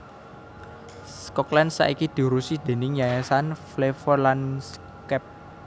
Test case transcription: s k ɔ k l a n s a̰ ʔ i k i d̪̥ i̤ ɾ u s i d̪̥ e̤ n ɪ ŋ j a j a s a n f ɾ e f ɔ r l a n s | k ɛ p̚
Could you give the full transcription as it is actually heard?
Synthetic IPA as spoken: s k ɔ k l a n s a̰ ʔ i k i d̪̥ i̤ ɾ u s i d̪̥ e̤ n ɪ ŋ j a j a s a n f l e f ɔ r l a n s | k ɛ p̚